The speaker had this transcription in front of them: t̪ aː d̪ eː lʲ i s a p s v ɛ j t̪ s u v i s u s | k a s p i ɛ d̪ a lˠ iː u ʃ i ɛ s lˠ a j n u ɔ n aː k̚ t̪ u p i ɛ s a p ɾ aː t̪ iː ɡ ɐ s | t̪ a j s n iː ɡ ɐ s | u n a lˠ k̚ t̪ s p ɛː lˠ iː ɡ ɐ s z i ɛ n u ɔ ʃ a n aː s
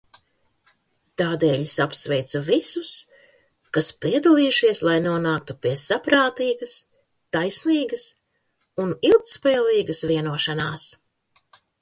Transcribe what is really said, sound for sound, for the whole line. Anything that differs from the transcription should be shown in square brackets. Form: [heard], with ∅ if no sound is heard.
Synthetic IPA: t̪ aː d̪ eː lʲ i s a p s v ɛ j t̪ s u v i s u s | k a s p i ɛ d̪ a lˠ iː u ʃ i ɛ s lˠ a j n u ɔ n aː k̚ t̪ u p i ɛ s a p ɾ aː t̪ iː ɡ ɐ s | t̪ a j s n iː ɡ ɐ s | u n [i] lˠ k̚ t̪ s p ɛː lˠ iː ɡ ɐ s [v] i ɛ n u ɔ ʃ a n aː s